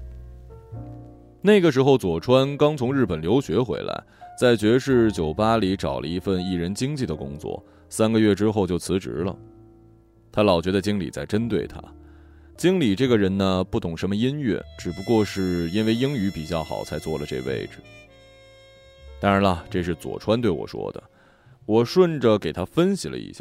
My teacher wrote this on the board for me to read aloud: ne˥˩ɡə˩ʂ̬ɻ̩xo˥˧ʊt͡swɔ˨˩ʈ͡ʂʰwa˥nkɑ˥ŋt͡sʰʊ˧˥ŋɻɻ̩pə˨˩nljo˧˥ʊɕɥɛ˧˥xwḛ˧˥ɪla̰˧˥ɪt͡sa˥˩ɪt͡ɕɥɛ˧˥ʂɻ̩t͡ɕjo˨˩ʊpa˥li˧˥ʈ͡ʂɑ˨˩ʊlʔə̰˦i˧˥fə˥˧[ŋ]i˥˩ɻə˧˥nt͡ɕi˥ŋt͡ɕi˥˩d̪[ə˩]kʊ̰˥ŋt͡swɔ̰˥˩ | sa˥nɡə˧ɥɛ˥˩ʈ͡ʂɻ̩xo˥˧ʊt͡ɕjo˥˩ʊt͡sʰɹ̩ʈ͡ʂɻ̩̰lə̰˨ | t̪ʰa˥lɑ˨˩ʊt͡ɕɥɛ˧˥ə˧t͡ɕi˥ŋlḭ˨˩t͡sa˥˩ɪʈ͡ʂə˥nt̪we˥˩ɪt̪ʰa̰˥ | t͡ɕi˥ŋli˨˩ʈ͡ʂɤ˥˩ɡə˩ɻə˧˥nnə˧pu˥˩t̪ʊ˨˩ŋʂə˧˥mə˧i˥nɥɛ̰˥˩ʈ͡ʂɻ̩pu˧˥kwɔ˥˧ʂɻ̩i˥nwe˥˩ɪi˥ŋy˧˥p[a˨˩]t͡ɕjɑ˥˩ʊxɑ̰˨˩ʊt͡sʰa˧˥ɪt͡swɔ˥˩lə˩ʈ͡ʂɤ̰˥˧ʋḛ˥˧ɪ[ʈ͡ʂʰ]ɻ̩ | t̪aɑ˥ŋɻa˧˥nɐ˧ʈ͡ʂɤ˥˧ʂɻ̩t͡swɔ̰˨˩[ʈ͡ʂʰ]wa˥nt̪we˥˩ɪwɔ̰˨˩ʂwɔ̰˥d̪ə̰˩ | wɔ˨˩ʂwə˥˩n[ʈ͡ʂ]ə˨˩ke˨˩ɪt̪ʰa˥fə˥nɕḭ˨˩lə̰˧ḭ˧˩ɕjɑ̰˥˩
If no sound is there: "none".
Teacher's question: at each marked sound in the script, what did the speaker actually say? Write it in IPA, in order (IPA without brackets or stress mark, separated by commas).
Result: n, ə˩, i˨˩, ʈ͡ʂ, ʈ͡ʂʰ, ʈ͡ʂ